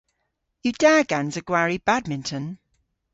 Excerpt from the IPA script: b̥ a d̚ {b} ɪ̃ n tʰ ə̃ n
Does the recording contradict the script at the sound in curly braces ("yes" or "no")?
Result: yes